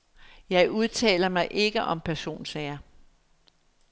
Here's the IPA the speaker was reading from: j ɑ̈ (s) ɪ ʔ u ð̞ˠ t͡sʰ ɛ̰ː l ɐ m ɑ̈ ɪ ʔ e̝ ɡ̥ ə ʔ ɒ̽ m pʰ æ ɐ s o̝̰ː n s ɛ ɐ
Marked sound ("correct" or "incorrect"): incorrect